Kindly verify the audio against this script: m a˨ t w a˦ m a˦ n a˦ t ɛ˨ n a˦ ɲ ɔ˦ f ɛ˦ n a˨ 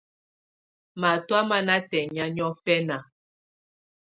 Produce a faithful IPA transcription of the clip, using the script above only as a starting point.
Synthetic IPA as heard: m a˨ t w a˦ m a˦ n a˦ t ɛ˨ ɲ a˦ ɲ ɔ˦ f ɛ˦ n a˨